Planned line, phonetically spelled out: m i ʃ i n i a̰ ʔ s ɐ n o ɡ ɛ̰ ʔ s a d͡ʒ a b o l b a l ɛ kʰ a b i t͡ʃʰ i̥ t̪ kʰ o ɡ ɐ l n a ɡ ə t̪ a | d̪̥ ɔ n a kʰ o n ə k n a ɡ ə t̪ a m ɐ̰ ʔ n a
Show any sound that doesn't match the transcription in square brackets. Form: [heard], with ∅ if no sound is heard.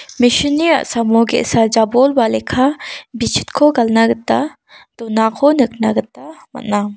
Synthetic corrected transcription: m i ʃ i n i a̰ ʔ s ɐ [m] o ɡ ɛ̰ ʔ s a d͡ʒ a b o l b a l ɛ kʰ a b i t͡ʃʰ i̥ t̪ kʰ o ɡ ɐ l n a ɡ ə t̪ a | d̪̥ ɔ n a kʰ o n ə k n a ɡ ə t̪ a m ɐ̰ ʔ n a